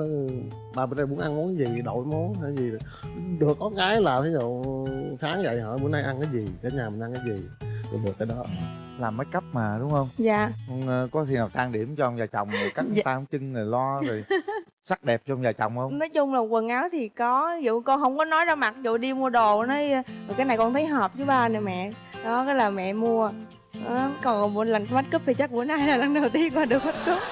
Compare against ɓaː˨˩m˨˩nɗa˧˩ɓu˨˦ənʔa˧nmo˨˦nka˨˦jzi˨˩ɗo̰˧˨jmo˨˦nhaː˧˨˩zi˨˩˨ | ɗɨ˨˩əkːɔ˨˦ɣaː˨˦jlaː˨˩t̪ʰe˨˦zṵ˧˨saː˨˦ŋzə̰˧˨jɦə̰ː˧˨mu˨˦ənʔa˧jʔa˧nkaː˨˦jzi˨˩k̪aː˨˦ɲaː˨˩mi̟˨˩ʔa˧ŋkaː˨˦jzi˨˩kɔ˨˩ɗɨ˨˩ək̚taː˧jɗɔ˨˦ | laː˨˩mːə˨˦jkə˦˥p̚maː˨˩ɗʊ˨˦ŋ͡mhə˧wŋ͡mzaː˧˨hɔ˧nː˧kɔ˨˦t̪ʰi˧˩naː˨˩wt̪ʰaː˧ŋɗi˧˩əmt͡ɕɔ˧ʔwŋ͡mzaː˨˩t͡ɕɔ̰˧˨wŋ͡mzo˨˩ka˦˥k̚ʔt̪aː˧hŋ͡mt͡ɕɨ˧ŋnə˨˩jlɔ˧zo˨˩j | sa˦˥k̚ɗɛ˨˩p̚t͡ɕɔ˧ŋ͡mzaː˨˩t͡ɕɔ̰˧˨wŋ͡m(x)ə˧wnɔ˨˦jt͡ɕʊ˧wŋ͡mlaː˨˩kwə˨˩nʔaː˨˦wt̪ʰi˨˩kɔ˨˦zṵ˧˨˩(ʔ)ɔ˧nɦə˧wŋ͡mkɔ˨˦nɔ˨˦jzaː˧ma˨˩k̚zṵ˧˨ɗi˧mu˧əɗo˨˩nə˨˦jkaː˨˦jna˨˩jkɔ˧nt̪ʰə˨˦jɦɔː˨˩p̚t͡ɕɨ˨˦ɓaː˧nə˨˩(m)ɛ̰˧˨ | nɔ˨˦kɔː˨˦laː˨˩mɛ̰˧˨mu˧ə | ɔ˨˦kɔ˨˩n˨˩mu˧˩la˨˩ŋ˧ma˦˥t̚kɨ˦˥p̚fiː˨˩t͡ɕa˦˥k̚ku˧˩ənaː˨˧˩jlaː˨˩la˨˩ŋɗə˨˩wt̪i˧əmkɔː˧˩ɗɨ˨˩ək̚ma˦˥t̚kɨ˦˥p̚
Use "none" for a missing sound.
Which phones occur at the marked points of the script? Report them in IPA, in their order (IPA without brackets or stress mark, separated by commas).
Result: h, k, m